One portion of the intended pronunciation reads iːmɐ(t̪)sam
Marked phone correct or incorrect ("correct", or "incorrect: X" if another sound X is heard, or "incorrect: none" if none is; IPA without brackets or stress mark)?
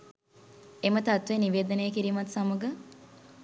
correct